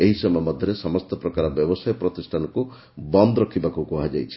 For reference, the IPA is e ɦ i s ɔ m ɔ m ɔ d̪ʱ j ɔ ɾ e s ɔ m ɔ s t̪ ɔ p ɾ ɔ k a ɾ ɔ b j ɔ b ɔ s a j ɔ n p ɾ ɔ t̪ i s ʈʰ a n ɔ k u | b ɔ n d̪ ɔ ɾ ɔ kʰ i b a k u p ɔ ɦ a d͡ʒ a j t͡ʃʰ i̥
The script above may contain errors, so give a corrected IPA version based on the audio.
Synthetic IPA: e ɦ i s ɔ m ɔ m ɔ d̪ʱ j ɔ ɾ e s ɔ m ɔ s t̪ ɔ p ɾ ɔ k a ɾ ɔ b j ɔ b ɔ s a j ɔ p ɾ ɔ t̪ i s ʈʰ a n ɔ k u | b ɔ n d̪ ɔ ɾ ɔ kʰ i b a k u k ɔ ɦ a d͡ʒ a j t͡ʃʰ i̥